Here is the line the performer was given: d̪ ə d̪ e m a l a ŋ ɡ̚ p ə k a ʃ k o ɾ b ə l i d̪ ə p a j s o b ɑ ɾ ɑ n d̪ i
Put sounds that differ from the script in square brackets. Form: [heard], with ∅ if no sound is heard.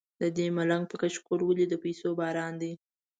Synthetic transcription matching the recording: d̪ ə d̪ e m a l a ŋ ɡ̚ p ə k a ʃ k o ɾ [w] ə l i d̪ ə p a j s o b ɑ ɾ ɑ n d̪ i